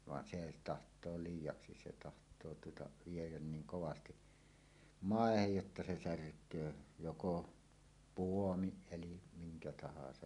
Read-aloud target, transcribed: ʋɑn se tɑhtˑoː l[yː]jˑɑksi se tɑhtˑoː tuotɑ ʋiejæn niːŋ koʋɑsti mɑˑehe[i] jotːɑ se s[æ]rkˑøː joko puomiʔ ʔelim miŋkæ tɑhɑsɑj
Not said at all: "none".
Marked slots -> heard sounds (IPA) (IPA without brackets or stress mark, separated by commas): iː, j, æ